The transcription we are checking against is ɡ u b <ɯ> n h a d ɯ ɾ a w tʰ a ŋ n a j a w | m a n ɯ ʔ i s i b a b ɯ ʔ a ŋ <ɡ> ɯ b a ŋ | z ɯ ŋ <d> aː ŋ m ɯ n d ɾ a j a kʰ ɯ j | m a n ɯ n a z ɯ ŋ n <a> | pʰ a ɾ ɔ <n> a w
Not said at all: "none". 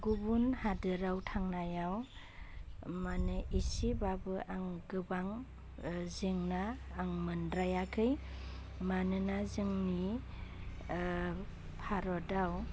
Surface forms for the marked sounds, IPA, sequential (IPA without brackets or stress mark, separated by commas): u, ɡ, n, i, d